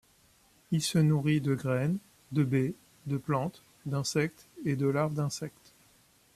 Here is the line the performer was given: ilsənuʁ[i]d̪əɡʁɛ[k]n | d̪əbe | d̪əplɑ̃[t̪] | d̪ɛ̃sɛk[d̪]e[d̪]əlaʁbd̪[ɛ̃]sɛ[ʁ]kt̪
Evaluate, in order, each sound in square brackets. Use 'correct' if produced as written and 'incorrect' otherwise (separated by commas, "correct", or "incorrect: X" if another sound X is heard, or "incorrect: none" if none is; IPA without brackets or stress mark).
correct, incorrect: none, correct, incorrect: t̪, correct, correct, incorrect: none